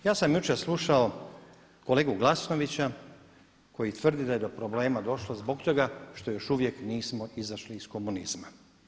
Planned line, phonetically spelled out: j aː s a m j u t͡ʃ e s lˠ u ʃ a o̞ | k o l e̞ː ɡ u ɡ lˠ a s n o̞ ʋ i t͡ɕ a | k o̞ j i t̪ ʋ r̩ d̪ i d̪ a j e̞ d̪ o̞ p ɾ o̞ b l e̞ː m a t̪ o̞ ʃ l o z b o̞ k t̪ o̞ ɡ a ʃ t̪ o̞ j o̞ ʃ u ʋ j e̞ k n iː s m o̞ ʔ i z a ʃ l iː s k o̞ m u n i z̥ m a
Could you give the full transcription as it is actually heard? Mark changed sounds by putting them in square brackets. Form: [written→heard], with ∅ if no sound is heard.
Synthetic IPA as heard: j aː s a m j u t͡ʃ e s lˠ u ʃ a o̞ | k o l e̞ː ɡ u ɡ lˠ a s n o̞ ʋ i t͡ɕ a | k o̞ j i t̪ ʋ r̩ d̪ i d̪ a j e̞ d̪ o̞ p ɾ o̞ b l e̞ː m a [t̪→d̪] o̞ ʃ l o z b o̞ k t̪ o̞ ɡ a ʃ t̪ o̞ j o̞ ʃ u ʋ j e̞ k n iː s m o̞ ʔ i z a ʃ l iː s k o̞ m u n i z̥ m a